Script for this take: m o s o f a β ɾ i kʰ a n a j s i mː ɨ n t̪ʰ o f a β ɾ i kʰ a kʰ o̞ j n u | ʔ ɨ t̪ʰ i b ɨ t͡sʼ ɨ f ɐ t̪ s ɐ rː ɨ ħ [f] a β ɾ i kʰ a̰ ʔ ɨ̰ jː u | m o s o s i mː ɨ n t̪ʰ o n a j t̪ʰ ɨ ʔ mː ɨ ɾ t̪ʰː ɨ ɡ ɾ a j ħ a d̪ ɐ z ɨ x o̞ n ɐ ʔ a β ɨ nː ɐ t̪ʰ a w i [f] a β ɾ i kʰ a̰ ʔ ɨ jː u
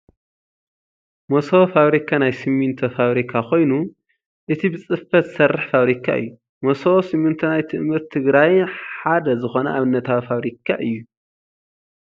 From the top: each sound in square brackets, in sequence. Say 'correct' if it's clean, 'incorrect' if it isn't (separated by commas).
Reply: correct, correct